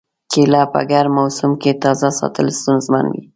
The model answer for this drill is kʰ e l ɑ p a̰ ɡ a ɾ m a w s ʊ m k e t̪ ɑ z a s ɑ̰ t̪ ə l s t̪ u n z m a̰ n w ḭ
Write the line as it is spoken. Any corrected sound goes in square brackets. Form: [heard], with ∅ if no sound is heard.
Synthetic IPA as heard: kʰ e l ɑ p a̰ ɡ a ɾ m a w s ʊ m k e t̪ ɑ z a s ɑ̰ t̪ ə l s t̪ u n z m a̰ n w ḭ